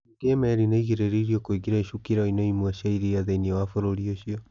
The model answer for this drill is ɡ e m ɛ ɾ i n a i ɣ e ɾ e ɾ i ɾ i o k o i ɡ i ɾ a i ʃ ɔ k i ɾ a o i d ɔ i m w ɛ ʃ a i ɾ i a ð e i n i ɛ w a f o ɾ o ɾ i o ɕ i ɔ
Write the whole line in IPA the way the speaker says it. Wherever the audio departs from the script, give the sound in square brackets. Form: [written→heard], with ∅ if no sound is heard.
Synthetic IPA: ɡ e m ɛ ɾ i n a i ɣ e ɾ e ɾ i ɾ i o k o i ɡ i ɾ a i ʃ [ɔ→u] k i ɾ a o i [d→n] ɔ i m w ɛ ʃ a i ɾ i a ð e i n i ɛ w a f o ɾ o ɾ i o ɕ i ɔ